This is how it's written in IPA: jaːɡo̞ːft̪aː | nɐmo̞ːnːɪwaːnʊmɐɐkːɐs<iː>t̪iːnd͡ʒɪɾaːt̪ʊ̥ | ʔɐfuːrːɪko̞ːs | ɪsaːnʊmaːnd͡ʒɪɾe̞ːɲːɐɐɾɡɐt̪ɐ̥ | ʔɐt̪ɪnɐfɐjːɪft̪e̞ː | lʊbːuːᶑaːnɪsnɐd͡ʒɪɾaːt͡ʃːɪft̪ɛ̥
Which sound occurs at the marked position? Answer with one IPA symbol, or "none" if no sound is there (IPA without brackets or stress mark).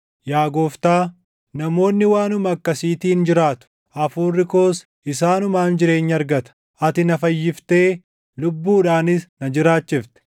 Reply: iː